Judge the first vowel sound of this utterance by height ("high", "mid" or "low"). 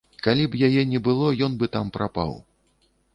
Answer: low